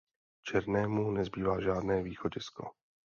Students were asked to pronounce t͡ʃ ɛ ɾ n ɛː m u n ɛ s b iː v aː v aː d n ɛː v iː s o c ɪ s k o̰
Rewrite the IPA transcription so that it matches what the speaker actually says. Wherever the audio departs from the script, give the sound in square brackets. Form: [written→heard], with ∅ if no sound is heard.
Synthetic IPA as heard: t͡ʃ ɛ ɾ n ɛː m u n ɛ [s→z] b iː v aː [v→ʒ] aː d n ɛː v iː [s→x] o [c→ɟ] ɪ s k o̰